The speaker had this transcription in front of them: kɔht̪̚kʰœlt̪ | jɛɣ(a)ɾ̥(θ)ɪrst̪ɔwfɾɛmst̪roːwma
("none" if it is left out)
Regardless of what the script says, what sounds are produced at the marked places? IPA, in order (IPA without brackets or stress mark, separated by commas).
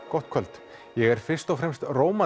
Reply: ɛ, f